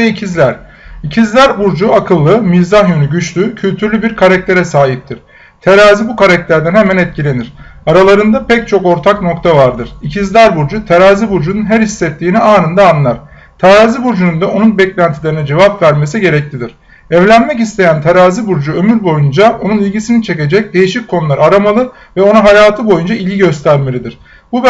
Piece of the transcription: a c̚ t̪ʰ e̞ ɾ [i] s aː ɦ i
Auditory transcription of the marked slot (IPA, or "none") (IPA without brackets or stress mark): ɛ